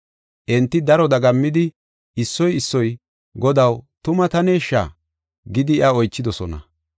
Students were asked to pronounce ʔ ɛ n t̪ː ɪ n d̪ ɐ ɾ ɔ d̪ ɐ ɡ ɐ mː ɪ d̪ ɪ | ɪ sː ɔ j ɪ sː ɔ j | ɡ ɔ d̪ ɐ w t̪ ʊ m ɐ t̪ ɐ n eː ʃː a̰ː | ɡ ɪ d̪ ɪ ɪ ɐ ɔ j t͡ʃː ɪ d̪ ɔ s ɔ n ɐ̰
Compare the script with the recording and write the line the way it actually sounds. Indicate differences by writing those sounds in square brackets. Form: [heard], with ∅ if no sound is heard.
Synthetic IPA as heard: ʔ ɛ n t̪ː ɪ [∅] d̪ ɐ ɾ ɔ d̪ ɐ ɡ ɐ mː ɪ d̪ ɪ | ɪ sː ɔ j ɪ sː ɔ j | ɡ ɔ d̪ ɐ w t̪ ʊ m ɐ t̪ ɐ n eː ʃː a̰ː | ɡ ɪ d̪ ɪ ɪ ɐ ɔ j t͡ʃː ɪ d̪ ɔ s ɔ n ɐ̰